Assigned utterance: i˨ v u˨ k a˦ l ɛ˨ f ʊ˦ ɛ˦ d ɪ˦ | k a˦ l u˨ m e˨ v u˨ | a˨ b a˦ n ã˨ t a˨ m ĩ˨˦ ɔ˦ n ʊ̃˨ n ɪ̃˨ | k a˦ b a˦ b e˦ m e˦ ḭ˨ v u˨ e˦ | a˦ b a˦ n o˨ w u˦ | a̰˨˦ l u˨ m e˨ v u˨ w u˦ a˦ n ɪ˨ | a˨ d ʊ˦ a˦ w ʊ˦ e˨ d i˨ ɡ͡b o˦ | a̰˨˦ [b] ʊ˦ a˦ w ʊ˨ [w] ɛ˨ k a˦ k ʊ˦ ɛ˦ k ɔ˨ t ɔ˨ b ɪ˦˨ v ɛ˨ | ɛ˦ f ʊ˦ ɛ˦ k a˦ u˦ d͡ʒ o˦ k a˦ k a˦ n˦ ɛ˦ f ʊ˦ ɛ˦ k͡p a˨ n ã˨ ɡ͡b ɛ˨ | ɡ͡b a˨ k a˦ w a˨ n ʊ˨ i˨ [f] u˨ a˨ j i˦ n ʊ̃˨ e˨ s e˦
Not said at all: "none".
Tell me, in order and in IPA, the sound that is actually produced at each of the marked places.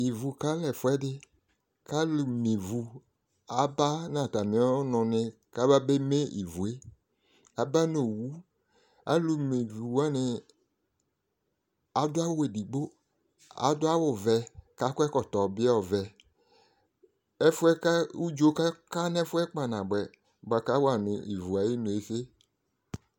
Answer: d, v, v

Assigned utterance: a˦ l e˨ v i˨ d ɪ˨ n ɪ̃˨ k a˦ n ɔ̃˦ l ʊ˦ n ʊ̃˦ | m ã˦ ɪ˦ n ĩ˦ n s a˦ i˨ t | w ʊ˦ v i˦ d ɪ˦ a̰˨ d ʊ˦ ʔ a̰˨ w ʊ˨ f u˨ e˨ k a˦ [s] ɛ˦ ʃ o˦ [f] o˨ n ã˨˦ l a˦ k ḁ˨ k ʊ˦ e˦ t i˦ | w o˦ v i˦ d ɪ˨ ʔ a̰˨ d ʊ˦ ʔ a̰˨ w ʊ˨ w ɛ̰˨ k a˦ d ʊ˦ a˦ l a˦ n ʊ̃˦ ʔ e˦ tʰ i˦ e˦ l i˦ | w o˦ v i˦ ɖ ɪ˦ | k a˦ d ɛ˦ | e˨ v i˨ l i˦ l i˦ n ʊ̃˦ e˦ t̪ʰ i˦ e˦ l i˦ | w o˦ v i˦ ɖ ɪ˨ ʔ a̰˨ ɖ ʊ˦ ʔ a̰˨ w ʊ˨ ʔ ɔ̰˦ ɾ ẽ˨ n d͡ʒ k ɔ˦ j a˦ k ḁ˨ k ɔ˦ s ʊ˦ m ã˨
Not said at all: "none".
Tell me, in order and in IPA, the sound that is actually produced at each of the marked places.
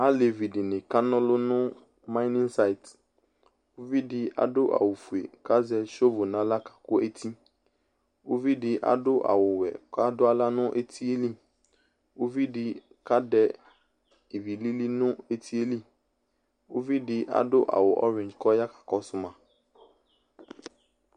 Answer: z, v

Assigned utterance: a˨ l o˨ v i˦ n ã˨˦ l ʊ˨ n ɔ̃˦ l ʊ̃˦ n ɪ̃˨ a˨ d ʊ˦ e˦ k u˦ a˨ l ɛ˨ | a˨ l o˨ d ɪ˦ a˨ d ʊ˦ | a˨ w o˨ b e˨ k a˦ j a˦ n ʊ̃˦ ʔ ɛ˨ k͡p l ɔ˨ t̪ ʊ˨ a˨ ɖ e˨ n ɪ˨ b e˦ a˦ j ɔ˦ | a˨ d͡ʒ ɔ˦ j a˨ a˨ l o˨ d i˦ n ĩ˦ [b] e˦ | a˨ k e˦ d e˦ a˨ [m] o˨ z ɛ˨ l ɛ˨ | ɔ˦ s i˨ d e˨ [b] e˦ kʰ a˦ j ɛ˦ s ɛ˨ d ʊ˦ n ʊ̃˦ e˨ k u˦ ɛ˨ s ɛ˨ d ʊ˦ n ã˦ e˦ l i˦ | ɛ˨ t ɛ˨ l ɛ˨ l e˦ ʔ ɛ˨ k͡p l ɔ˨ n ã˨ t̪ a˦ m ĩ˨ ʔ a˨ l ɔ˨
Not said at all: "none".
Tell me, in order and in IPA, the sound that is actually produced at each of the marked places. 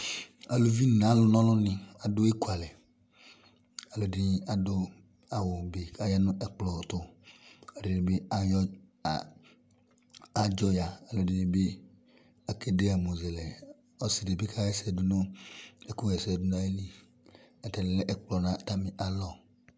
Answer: b, m, b

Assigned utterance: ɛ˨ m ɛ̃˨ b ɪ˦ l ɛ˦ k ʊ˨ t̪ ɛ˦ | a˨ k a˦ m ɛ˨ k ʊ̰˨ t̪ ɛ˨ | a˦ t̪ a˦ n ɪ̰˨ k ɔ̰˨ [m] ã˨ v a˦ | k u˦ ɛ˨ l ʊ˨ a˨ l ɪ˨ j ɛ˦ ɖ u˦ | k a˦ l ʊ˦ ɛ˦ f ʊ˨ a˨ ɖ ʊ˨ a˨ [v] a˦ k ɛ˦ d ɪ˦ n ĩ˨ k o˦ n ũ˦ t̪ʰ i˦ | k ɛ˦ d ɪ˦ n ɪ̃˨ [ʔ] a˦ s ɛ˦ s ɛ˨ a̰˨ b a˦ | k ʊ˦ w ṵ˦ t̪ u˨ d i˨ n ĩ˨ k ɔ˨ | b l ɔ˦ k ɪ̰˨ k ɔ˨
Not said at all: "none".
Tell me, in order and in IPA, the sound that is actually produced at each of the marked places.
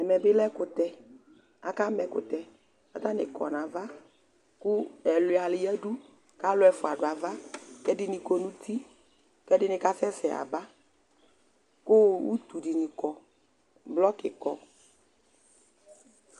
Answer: n, v, k

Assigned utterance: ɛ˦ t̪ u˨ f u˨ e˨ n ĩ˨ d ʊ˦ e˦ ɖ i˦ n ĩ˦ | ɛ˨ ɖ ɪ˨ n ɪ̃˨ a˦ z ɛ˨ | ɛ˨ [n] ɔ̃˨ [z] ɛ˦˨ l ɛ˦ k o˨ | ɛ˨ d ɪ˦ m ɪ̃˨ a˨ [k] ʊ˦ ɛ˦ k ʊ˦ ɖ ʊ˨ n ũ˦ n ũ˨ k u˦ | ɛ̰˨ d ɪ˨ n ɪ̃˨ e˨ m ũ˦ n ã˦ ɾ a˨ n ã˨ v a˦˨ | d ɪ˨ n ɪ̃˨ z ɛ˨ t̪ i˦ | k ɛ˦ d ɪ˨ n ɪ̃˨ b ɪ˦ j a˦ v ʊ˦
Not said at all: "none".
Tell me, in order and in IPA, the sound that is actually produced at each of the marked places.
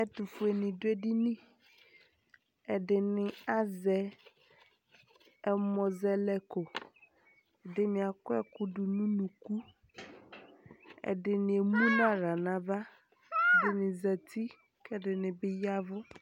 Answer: m, z, k

